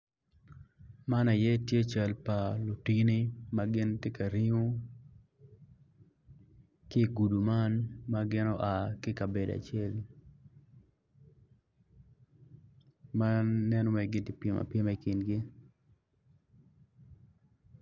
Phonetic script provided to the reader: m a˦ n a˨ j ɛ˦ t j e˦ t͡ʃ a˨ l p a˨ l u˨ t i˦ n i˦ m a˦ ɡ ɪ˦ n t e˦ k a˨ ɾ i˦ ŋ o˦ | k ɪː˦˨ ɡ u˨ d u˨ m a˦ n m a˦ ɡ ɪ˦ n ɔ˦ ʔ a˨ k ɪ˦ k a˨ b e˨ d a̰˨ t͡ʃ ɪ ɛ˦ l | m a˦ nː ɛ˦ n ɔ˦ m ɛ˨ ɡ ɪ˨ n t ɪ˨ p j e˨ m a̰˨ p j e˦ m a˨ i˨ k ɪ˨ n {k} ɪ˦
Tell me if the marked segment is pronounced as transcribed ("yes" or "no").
no